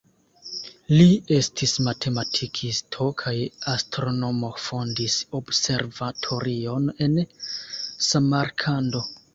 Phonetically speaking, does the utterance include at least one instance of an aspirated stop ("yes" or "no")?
yes